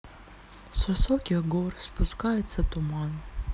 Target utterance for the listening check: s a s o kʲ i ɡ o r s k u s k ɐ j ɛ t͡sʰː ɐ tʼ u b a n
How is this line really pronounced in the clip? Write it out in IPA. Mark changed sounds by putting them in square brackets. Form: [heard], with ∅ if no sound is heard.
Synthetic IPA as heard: s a s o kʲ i ɡ o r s [p] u s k [a] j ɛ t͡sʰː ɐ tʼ u [m] a n